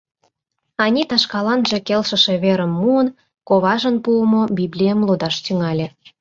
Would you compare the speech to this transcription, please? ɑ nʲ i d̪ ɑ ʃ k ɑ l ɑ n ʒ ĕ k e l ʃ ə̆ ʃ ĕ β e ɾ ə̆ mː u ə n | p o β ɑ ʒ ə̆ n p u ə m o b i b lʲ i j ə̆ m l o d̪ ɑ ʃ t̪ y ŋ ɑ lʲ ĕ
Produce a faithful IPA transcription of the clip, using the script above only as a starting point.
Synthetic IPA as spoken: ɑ nʲ i t̪ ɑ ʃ k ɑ l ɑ n ʒ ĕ k e l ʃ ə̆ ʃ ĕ β e ɾ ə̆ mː u ə n | k o β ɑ ʒ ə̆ n p u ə m o b i b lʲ i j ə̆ m l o d̪ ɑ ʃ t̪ y ŋ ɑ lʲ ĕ